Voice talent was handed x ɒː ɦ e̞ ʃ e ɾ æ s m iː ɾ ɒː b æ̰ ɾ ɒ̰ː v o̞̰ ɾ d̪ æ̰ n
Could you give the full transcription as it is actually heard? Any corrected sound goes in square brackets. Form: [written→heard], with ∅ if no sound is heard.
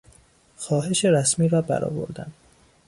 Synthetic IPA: x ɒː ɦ e̞ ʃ e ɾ æ s m iː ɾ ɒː b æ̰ ɾ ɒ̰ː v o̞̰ ɾ d̪ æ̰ n